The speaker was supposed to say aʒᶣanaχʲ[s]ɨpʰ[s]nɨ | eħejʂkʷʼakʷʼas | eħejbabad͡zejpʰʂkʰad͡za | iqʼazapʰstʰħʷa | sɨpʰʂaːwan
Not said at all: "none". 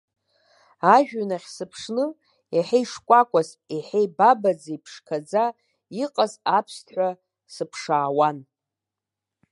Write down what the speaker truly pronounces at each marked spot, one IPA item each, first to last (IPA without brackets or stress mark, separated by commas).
s, ʂ